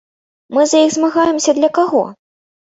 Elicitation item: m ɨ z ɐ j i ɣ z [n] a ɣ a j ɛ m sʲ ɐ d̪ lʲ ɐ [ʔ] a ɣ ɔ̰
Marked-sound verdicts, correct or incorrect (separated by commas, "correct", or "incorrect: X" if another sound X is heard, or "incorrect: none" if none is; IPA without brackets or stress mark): incorrect: m, incorrect: k